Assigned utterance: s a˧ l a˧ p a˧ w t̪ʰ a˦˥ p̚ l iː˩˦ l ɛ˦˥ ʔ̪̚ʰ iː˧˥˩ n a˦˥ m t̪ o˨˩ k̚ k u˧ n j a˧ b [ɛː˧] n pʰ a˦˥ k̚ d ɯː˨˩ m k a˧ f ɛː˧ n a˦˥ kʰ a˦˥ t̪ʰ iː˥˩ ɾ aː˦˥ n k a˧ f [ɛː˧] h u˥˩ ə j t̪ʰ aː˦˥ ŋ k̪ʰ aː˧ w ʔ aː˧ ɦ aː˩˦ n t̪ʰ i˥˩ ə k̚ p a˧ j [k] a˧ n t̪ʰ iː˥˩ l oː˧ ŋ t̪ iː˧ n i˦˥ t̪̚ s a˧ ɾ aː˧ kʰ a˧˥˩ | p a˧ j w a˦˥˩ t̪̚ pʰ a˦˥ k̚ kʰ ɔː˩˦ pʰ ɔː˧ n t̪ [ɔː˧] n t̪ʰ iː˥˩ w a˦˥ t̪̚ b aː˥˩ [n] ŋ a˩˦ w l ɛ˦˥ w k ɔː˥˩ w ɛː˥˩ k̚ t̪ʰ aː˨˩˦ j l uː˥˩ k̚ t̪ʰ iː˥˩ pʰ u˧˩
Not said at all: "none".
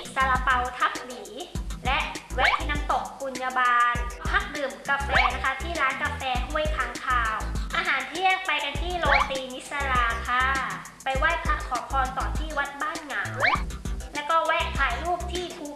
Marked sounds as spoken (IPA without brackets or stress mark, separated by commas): aː˧, ɛː˧, k, ɔː˨˩, n